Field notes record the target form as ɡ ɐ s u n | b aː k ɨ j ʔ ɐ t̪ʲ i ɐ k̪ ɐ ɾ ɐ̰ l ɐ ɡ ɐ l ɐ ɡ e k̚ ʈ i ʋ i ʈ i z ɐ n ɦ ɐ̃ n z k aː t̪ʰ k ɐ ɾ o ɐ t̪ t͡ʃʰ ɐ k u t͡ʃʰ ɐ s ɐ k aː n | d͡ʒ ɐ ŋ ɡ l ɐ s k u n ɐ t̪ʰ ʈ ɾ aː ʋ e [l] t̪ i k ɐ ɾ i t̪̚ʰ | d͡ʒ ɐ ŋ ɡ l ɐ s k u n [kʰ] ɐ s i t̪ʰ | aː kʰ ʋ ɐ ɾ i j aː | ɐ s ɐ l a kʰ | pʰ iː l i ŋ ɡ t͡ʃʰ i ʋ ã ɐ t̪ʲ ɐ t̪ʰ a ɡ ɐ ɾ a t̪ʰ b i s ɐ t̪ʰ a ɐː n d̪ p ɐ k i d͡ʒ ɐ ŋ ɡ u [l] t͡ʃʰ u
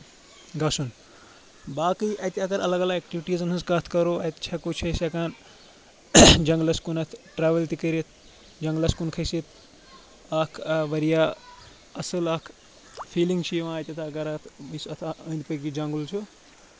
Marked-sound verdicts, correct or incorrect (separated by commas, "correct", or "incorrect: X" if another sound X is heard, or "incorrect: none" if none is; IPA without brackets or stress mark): correct, correct, correct